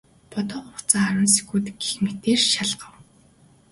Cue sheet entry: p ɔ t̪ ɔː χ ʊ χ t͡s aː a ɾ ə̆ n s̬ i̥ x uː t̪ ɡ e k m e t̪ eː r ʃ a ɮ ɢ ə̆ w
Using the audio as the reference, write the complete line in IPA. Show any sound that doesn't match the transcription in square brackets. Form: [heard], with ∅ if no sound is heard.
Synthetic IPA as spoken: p ɔ t̪ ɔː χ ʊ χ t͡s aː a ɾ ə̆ n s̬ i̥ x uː t̪ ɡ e [x] m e t̪ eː r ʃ a ɮ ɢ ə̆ w